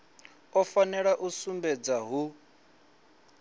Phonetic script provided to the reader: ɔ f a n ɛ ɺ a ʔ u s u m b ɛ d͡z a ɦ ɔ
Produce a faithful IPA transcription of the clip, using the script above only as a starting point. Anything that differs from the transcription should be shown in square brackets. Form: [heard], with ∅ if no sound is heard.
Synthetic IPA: ɔ f a n ɛ ɺ a ʔ u s u m b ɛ d͡z a ɦ [u]